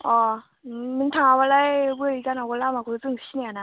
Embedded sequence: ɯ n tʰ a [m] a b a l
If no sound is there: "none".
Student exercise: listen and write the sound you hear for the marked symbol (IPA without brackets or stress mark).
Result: ŋ